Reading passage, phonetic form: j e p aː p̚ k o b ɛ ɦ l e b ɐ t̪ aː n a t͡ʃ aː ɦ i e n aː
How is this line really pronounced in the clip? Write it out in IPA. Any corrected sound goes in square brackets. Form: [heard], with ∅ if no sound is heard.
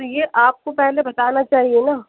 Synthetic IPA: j e [ʔ] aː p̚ k o [p] ɛ ɦ l e b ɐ t̪ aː n a t͡ʃ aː ɦ i e n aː